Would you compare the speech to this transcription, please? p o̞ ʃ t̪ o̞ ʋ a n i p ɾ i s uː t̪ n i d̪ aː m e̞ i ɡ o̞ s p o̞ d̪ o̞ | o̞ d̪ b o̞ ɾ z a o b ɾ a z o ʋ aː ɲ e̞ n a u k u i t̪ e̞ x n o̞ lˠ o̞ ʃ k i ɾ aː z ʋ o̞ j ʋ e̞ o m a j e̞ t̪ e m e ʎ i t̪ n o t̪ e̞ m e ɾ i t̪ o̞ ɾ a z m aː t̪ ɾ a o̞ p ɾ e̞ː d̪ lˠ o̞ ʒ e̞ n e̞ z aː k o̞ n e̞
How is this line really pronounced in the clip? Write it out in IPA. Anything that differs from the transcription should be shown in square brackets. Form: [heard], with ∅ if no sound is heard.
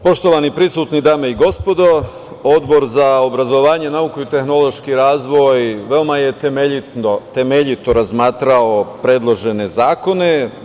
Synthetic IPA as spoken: p o̞ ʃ t̪ o̞ ʋ a n i p ɾ i s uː t̪ n i d̪ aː m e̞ i ɡ o̞ s p o̞ d̪ o̞ | o̞ d̪ b o̞ ɾ z a o b ɾ a z o ʋ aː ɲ e̞ n a u k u i t̪ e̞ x n o̞ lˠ o̞ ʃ k i ɾ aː z ʋ o̞ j ʋ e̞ o m a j e̞ t̪ e m e ʎ i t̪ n o t̪ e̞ m e [ʎ] i t̪ o̞ ɾ a z m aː t̪ ɾ a o̞ p ɾ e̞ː d̪ lˠ o̞ ʒ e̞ n e̞ z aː k o̞ n e̞

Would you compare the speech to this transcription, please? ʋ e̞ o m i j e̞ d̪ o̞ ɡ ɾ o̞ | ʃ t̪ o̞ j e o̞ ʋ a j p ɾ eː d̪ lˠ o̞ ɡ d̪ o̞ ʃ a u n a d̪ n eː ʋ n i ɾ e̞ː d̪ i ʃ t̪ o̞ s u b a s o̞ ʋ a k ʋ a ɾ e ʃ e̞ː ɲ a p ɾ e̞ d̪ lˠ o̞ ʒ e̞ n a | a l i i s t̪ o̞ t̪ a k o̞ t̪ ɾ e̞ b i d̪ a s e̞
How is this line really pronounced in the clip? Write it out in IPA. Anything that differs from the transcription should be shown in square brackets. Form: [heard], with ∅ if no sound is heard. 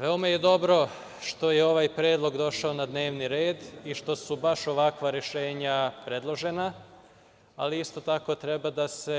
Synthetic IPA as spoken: ʋ e̞ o m [a] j e̞ d̪ o̞ [b] ɾ o̞ | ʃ t̪ o̞ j e o̞ ʋ a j p ɾ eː d̪ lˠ o̞ ɡ d̪ o̞ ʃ a [o] n a d̪ n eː ʋ n i ɾ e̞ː d̪ i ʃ t̪ o̞ s u b a [ʃ] o̞ ʋ a k ʋ a ɾ e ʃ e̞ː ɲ a p ɾ e̞ d̪ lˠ o̞ ʒ e̞ n a | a l i i s t̪ o̞ t̪ a k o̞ t̪ ɾ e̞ b [a] d̪ a s e̞

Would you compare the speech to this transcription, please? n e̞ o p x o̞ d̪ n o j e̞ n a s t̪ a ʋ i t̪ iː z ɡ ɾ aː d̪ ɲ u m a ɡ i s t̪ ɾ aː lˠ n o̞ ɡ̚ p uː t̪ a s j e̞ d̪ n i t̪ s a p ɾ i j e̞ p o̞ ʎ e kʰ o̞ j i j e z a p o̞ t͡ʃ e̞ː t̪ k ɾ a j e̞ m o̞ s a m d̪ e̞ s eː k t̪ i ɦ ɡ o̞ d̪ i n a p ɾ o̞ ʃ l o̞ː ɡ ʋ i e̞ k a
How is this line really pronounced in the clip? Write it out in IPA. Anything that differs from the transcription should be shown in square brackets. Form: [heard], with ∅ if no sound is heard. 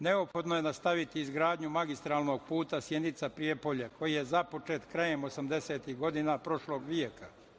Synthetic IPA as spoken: n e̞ o p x o̞ d̪ n o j e̞ n a s t̪ a ʋ i t̪ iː z ɡ ɾ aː d̪ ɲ u m a ɡ i s t̪ ɾ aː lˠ n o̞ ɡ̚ p uː t̪ a s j e̞ d̪ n i t̪ s a p ɾ i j e̞ p o̞ ʎ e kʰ o̞ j i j e z a p o̞ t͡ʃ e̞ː t̪ k ɾ a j e̞ m o̞ s a m d̪ e̞ s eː [∅] t̪ i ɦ ɡ o̞ d̪ i n a p ɾ o̞ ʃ l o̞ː ɡ ʋ i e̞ k a

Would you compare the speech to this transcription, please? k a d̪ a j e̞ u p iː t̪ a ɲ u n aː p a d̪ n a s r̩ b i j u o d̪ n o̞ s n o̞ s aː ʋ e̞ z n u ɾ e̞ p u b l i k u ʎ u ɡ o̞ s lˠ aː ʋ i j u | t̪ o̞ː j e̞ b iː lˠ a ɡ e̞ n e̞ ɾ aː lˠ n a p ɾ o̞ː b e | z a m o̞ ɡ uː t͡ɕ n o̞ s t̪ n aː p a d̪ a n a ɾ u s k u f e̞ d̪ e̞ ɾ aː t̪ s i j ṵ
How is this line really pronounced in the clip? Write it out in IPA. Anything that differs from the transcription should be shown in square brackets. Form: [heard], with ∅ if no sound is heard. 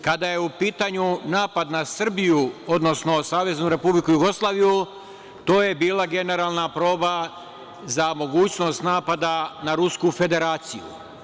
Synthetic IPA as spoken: k a d̪ a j e̞ u p iː t̪ a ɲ u n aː p a d̪ n a s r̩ b i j u o d̪ n o̞ s n o̞ s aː ʋ e̞ z n u ɾ e̞ p u b l i k u [j] u ɡ o̞ s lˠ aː ʋ i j u | t̪ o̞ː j e̞ b iː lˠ a ɡ e̞ n e̞ ɾ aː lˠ n a p ɾ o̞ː b [a] | z a m o̞ ɡ uː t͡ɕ n o̞ s t̪ n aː p a d̪ a n a ɾ u s k u f e̞ d̪ e̞ ɾ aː t̪ s i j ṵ

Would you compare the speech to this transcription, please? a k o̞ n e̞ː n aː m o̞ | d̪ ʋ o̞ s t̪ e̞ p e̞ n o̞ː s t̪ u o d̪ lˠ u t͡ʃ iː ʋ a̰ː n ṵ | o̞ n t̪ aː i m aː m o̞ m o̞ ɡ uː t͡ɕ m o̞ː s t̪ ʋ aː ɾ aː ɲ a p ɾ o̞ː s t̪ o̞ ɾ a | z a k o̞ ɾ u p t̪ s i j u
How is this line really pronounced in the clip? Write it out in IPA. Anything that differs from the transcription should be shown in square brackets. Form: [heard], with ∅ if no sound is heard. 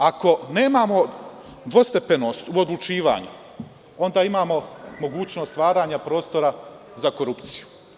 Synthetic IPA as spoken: a k o̞ n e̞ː [m] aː m o̞ | d̪ ʋ o̞ s t̪ e̞ p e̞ n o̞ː s t̪ u o d̪ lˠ u t͡ʃ iː ʋ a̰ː [ɲ] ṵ | o̞ n [d̪] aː i m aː m o̞ m o̞ ɡ uː t͡ɕ [n] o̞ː s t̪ ʋ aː ɾ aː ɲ a p ɾ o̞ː s t̪ o̞ ɾ a | z a k o̞ ɾ u p t̪ s i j u

